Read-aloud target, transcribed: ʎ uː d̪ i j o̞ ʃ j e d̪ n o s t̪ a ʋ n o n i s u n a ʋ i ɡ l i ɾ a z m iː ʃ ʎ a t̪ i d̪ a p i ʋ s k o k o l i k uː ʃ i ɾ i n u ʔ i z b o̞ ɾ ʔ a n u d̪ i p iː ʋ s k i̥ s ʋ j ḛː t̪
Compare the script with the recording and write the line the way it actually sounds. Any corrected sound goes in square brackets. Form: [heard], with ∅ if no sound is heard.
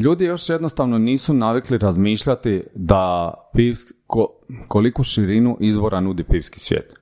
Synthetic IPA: ʎ uː d̪ i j o̞ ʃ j e d̪ n o s t̪ a ʋ n o n [iː] s u n a ʋ i [k] l i ɾ a z m iː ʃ ʎ a t̪ i d̪ a p i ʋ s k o k o l i k [u] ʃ i ɾ i n u ʔ i z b o̞ ɾ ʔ a n u d̪ i p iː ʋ s k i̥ s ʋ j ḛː t̪